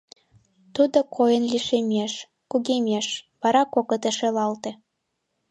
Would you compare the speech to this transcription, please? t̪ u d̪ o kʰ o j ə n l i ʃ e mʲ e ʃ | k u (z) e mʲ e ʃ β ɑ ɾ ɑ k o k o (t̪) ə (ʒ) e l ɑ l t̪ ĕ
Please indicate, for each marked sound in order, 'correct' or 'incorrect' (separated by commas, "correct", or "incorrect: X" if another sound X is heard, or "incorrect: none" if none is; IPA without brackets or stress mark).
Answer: incorrect: ɣ, correct, incorrect: ʃ